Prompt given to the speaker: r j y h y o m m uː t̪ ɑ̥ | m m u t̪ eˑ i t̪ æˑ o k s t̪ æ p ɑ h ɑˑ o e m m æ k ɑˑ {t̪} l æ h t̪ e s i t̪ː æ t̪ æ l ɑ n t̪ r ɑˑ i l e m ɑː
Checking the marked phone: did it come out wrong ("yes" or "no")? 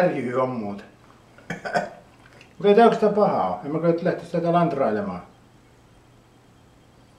no